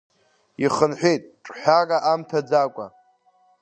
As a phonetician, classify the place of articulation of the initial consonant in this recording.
uvular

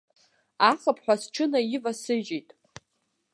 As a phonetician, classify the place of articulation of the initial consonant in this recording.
uvular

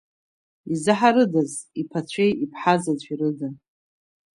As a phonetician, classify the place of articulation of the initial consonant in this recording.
alveolar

